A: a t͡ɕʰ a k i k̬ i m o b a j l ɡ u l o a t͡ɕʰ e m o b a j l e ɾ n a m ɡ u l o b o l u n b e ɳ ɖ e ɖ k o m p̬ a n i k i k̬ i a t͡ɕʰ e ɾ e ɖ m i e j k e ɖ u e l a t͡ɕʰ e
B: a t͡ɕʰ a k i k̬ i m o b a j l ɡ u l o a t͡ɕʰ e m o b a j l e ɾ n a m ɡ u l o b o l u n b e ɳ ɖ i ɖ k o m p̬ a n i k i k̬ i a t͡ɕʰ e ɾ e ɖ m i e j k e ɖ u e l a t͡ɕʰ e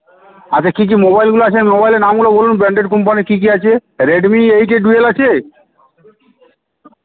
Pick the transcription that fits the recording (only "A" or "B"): A